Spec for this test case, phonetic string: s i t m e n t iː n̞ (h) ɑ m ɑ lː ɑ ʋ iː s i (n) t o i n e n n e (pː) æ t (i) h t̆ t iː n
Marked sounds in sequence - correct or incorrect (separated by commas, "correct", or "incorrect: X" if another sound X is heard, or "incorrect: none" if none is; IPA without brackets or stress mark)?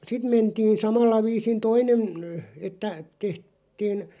incorrect: s, correct, incorrect: tː, incorrect: e